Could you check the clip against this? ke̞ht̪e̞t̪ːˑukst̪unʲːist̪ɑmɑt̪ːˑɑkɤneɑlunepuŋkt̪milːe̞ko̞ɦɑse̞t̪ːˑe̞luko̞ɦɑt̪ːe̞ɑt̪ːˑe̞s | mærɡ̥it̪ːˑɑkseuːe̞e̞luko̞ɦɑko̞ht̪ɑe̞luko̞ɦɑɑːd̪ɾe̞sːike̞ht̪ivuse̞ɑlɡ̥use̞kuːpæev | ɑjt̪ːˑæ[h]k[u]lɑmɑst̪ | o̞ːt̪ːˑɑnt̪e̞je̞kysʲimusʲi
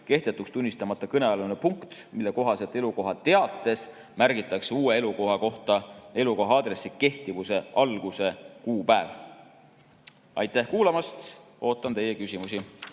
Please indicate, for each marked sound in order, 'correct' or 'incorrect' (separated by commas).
correct, incorrect